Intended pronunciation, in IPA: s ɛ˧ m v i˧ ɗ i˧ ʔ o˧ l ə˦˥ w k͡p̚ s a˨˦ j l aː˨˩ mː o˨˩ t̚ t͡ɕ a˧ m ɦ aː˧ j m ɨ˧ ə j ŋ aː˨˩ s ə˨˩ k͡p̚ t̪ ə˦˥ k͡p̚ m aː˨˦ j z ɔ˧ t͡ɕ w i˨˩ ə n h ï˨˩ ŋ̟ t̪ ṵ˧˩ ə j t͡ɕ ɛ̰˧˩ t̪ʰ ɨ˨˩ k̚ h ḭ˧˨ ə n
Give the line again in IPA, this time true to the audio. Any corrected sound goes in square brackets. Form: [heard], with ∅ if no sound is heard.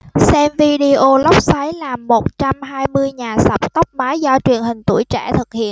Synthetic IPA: s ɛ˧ m v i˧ ɗ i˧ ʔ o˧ l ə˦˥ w k͡p̚ s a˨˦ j l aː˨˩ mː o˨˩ t̚ t͡ɕ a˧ m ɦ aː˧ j m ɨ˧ ə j [ɲ] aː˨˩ s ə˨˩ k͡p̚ t̪ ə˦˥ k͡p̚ m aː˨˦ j z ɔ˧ t͡ɕ w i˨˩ ə n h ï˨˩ ŋ̟ t̪ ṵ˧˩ ə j t͡ɕ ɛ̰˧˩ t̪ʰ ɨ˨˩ k̚ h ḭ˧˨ ə n